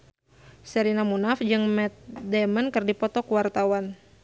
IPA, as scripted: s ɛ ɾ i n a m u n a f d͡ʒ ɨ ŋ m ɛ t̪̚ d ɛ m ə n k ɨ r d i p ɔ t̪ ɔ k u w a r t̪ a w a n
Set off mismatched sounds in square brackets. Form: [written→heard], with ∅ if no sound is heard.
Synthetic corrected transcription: s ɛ ɾ i n a m u n a f d͡ʒ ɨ ŋ m ɛ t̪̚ d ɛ m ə n k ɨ r d i p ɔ t̪ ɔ k u w a r t̪ a w a n